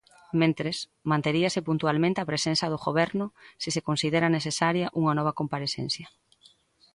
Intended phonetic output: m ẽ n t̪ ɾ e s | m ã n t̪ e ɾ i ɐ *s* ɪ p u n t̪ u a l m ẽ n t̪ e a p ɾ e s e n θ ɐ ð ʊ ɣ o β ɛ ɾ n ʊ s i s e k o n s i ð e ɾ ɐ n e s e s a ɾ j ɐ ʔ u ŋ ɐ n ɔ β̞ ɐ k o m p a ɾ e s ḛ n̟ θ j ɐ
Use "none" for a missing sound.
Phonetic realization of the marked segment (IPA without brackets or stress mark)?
s